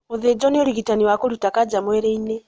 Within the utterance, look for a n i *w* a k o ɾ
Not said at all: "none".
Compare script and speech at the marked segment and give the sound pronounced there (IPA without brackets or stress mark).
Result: w